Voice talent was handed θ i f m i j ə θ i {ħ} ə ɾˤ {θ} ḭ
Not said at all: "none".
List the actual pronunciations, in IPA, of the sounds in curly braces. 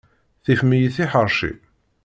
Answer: ħ, ʃ

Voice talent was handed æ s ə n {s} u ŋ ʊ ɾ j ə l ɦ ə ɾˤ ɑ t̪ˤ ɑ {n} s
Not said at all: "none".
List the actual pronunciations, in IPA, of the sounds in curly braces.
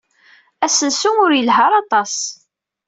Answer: s, none

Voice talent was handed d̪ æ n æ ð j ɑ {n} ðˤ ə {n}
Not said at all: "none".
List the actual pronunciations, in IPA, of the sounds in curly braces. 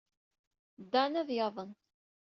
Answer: none, n

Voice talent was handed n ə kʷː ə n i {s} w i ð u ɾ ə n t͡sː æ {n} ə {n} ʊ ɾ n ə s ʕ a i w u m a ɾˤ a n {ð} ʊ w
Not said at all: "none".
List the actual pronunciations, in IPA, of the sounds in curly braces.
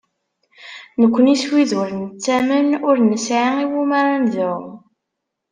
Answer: s, m, n, ð

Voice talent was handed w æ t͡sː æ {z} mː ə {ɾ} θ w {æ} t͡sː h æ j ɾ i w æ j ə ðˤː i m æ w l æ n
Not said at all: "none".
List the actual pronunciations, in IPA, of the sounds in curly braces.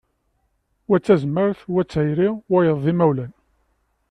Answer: z, ɾ, æ

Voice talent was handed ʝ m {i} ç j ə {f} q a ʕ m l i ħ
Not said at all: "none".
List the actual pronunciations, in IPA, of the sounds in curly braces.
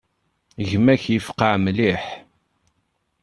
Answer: æ, f

